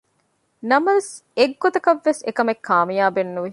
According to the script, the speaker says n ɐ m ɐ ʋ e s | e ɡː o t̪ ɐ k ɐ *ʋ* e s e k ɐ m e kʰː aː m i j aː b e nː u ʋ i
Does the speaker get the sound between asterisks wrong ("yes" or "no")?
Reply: yes